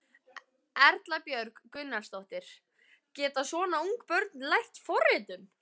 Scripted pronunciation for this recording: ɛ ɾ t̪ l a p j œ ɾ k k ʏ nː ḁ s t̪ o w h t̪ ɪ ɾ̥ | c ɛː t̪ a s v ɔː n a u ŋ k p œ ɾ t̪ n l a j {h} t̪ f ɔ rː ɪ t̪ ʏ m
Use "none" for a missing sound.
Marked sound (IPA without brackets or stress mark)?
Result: h